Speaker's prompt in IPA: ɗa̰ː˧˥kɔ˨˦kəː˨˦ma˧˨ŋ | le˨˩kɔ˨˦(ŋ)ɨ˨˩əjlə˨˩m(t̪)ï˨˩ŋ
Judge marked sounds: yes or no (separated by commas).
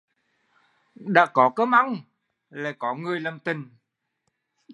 yes, yes